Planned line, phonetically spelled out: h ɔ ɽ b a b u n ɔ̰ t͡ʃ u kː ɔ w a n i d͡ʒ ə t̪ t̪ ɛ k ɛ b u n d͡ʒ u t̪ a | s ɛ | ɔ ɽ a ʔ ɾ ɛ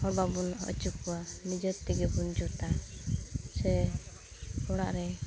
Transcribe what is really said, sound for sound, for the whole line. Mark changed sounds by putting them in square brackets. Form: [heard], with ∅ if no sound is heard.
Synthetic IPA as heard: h ɔ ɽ b a b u n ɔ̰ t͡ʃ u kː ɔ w a n i d͡ʒ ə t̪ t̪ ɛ [ɡ] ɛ b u n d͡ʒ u t̪ a | s ɛ | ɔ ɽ a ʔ ɾ ɛ